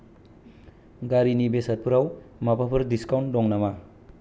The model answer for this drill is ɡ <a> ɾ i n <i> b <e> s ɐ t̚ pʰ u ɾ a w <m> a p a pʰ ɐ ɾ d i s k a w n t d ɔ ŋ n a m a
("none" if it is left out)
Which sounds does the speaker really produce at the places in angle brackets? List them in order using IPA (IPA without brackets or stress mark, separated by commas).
a, i, e, m